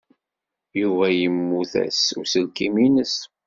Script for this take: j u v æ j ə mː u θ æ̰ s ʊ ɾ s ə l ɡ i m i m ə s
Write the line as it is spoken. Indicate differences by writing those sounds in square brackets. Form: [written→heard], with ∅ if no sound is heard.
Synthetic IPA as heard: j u v æ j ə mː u θ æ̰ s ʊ ɾ s ə l [ɡ→k] i m i [m→n] ə s